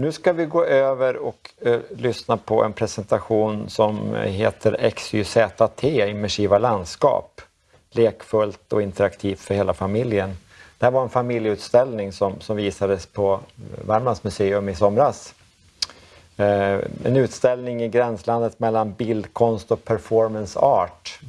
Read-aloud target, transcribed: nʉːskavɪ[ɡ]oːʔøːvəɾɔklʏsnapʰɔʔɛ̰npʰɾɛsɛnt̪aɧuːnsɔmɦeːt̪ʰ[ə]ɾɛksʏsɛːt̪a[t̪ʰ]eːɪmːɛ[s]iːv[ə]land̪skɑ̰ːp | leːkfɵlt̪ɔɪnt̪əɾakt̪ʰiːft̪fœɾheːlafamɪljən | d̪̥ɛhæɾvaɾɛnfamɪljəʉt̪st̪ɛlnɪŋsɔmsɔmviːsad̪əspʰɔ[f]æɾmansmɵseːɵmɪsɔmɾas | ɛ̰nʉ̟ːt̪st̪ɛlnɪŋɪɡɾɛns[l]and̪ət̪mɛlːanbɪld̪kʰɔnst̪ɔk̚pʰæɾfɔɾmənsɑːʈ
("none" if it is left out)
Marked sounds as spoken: ɡ, ə, t̪ʰ, ʂ, a, v, l

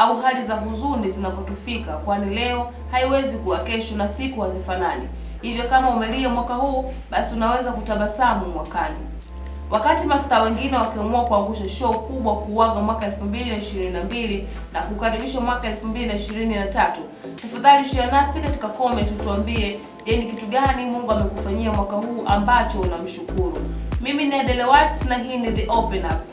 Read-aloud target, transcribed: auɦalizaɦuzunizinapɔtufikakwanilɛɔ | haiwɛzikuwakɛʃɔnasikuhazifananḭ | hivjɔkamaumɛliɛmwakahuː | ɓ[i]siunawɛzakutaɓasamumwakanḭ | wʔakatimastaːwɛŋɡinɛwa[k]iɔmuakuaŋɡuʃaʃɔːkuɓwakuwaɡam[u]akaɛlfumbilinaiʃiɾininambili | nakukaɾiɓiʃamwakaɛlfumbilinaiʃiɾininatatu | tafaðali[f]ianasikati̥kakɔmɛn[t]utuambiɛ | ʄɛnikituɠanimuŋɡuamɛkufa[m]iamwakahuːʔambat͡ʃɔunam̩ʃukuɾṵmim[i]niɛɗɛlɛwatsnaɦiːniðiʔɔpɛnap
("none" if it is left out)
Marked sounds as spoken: a, k, w, ʃ, t, ɲ, i

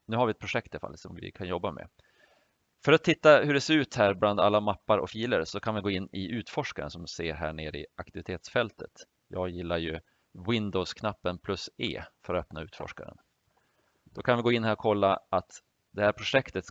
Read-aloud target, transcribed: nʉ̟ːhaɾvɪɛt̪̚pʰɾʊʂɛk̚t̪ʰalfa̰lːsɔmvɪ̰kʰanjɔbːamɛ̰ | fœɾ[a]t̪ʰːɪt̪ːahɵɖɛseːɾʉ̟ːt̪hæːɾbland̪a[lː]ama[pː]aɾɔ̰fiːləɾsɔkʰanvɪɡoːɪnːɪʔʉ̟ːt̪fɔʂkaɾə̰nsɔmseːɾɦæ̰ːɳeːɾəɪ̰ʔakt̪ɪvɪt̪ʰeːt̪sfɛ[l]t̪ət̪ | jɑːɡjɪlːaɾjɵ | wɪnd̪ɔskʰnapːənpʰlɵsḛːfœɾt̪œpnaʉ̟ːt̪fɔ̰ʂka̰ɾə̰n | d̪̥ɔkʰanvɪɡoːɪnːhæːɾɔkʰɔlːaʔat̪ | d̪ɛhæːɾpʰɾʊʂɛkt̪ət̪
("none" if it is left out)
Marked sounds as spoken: a, lː, pː, l

